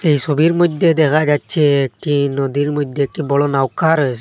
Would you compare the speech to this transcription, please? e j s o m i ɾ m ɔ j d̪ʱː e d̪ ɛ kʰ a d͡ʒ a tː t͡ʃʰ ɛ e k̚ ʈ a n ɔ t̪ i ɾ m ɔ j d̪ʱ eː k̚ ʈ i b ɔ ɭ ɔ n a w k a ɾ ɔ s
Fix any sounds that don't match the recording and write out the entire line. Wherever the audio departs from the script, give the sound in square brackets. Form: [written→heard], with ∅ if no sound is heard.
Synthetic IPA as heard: e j s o [m→b] i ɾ m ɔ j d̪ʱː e d̪ ɛ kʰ a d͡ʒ a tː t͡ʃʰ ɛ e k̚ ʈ [a→i] n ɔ [t̪→d̪] i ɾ m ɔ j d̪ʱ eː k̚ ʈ i b ɔ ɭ ɔ n a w k a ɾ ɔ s